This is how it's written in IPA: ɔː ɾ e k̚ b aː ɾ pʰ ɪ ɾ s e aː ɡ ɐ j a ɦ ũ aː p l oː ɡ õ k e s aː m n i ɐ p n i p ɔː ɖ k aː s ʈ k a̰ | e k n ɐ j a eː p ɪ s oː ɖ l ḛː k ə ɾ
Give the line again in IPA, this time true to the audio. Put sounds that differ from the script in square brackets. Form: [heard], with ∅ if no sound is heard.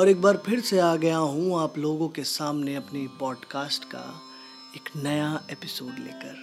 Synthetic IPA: ɔː ɾ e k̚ b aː ɾ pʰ ɪ ɾ s e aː ɡ ɐ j a ɦ ũ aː p l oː ɡ õ k e s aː m n [e] ɐ p n i p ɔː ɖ k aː s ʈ k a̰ | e k n ɐ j a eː p ɪ s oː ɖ l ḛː k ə ɾ